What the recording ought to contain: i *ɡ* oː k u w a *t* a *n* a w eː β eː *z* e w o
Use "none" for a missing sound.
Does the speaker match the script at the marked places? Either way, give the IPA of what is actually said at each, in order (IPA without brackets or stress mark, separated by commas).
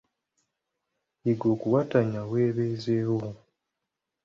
ɡ, t, ɲ, z